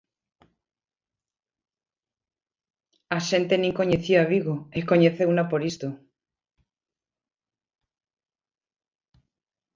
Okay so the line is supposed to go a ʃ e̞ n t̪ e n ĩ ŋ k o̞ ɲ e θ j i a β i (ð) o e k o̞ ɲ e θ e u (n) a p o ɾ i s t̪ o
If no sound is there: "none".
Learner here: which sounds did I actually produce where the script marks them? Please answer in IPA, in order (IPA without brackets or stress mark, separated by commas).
ɣ, n